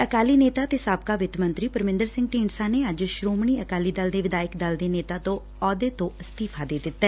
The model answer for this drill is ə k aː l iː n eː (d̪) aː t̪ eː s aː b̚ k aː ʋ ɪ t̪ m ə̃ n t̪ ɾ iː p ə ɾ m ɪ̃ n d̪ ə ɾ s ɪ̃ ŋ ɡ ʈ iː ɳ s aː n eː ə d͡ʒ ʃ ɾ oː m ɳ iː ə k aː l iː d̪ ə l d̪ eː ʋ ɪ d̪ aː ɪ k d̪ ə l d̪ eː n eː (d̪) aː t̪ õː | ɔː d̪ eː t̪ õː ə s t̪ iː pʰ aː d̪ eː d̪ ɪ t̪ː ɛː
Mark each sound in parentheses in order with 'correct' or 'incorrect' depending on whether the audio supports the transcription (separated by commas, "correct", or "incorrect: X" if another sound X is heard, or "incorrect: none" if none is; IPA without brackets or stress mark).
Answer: incorrect: t̪, incorrect: t̪